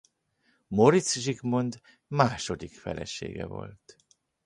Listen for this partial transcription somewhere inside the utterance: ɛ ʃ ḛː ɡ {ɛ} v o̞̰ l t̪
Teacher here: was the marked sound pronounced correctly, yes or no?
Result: yes